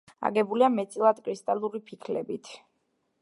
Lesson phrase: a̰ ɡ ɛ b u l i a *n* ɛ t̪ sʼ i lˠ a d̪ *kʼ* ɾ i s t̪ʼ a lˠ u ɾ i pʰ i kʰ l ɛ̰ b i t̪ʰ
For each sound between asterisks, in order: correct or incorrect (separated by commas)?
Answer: incorrect, correct